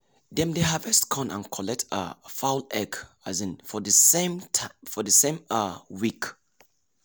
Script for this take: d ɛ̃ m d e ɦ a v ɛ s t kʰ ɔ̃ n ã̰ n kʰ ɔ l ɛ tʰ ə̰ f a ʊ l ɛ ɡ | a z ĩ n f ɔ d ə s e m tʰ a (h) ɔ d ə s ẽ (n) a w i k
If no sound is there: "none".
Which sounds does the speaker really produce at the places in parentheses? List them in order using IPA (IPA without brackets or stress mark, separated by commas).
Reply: f, m